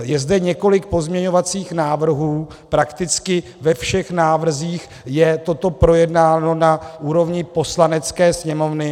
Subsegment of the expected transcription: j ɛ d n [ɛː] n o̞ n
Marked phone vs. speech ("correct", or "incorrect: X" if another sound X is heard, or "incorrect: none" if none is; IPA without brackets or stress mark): incorrect: aː